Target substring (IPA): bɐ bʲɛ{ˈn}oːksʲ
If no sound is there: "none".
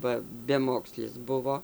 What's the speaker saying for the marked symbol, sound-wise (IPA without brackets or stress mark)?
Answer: m